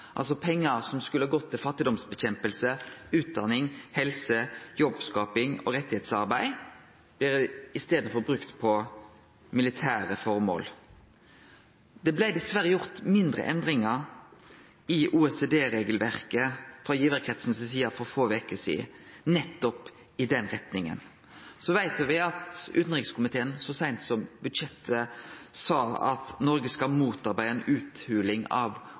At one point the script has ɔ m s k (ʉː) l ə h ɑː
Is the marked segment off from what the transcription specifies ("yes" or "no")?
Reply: yes